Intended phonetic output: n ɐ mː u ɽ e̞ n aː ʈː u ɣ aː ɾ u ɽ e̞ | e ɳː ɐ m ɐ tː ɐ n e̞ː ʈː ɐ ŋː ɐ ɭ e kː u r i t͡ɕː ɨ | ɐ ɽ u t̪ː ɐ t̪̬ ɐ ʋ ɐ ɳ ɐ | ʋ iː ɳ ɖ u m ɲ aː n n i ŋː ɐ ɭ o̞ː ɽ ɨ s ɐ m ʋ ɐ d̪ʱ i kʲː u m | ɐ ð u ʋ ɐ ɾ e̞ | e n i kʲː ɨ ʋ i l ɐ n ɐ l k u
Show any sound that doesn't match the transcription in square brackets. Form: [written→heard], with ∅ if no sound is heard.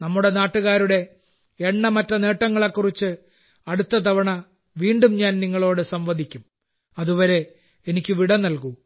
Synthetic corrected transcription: n ɐ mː u ɽ e̞ n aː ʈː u ɣ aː ɾ u ɽ e̞ | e ɳː ɐ m ɐ tː ɐ n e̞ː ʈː ɐ ŋː ɐ ɭ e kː u r i t͡ɕː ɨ | ɐ ɽ u t̪ː ɐ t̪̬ ɐ ʋ ɐ ɳ ɐ | ʋ iː ɳ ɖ u m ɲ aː n n i ŋː ɐ ɭ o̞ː ɽ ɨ s ɐ m ʋ ɐ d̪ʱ i kʲː u m | ɐ ð u ʋ ɐ ɾ e̞ | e n i kʲː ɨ ʋ i [l→ɽ] ɐ n ɐ l k u